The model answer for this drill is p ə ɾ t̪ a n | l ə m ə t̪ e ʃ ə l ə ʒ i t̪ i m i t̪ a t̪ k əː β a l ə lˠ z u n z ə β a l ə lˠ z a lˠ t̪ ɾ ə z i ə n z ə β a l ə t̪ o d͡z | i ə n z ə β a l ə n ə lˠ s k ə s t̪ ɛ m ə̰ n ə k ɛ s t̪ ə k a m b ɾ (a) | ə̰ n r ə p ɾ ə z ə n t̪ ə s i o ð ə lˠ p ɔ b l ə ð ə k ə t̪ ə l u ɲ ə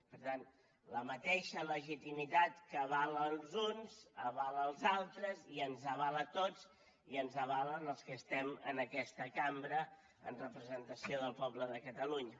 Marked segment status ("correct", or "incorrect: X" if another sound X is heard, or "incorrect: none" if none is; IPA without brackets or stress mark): incorrect: ə